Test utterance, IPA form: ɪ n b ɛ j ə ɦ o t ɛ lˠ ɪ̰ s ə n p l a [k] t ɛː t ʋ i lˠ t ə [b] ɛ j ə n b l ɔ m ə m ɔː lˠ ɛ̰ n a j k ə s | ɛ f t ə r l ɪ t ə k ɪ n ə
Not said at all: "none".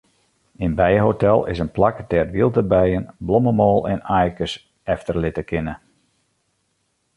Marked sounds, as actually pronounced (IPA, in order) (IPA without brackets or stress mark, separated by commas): k, b